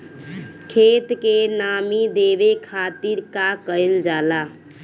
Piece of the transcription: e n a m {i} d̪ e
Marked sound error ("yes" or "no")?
no